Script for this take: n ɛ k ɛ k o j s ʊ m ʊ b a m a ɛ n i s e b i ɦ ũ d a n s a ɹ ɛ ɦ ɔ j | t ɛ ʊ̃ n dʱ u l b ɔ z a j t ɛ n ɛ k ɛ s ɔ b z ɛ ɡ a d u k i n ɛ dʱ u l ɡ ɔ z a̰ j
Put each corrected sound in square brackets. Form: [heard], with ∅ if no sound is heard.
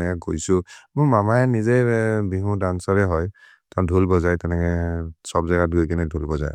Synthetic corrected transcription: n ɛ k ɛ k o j s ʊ m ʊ [m] a m a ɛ n i [z] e b i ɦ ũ d a n s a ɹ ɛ ɦ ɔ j | t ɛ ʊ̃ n dʱ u l b ɔ z a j t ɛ n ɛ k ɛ s ɔ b z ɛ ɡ a d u k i n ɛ dʱ u l [b] ɔ z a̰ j